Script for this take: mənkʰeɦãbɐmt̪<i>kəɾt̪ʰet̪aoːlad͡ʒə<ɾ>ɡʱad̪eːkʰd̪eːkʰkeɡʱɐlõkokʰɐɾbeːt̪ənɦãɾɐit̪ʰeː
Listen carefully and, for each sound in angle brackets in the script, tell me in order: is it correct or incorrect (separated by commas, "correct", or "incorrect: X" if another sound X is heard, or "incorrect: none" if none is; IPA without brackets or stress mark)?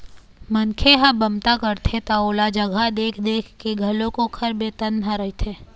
incorrect: a, incorrect: none